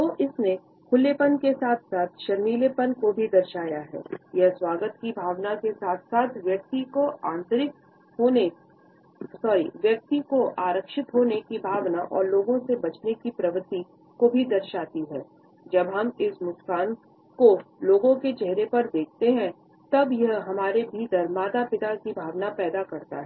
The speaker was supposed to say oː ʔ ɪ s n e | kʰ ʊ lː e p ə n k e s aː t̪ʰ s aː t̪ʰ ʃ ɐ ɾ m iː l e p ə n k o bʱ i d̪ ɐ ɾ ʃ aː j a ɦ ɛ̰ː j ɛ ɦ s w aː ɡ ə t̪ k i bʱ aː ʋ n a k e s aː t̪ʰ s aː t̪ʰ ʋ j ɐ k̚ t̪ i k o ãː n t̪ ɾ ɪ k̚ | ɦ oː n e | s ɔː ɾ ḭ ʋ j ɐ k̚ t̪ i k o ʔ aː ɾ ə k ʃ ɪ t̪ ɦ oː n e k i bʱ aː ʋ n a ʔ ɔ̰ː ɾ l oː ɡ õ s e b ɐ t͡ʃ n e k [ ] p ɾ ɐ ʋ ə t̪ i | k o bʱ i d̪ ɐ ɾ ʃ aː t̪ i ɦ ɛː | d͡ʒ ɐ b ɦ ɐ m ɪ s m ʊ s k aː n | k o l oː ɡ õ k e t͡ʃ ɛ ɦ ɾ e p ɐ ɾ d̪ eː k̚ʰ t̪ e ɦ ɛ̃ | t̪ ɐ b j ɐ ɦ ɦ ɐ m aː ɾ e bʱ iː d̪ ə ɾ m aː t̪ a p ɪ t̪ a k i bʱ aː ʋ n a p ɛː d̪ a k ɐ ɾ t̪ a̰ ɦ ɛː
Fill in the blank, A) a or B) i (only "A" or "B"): B